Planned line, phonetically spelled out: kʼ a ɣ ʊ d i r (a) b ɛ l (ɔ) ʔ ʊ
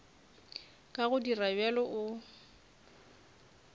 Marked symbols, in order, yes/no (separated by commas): yes, yes